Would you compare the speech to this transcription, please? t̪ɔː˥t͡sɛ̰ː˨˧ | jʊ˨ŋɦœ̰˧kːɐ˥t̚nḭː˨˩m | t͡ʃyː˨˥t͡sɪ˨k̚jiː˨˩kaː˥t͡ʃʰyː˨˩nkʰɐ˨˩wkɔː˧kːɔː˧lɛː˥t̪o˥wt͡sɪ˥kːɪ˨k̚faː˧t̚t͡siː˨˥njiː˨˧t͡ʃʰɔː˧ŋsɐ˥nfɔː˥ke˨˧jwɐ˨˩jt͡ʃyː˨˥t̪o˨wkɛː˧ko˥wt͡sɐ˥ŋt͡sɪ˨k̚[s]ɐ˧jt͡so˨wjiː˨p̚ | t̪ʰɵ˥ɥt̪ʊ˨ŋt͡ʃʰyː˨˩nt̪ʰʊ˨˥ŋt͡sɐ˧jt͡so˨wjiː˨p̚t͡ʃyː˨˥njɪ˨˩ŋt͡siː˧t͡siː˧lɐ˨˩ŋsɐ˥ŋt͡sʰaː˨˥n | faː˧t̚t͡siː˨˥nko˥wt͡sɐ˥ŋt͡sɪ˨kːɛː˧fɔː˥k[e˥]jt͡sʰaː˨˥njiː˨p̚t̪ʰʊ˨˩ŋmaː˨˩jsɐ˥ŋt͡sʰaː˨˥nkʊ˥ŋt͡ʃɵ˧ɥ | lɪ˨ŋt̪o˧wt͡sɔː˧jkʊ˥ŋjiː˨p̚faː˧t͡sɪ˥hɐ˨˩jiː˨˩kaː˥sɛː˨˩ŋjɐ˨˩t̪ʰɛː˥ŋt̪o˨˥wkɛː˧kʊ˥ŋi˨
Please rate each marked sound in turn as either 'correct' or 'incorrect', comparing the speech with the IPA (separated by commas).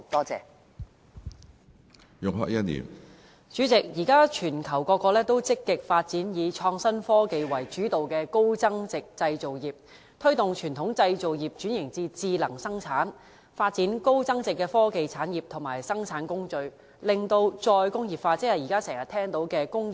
incorrect, incorrect